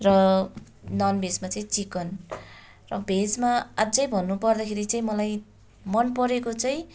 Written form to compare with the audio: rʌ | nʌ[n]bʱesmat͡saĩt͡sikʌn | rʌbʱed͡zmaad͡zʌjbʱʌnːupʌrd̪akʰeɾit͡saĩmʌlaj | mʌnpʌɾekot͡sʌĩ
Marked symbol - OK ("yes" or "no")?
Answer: yes